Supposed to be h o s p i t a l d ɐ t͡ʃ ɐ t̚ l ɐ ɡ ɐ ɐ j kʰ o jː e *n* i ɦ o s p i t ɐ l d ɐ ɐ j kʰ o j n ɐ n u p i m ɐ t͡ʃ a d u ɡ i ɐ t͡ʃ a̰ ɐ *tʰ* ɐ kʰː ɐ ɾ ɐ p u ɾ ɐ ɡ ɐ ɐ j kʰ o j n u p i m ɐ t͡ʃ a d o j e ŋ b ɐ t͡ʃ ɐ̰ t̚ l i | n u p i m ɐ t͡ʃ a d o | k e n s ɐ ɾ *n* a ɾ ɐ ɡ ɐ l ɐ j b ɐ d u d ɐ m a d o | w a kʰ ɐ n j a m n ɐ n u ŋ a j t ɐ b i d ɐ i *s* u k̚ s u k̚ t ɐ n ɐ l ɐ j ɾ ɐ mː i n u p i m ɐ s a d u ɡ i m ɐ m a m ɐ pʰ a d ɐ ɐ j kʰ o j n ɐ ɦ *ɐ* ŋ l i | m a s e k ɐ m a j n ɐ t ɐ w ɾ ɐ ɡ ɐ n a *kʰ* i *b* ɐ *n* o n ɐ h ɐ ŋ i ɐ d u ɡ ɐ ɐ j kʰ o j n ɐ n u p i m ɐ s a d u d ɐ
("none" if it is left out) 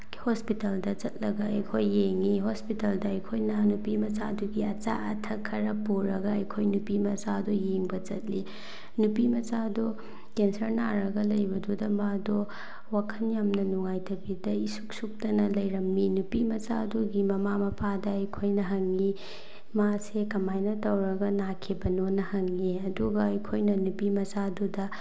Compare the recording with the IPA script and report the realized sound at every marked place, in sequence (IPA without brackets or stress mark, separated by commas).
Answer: ŋ, tʰ, n, s, ɐ, kʰ, b, n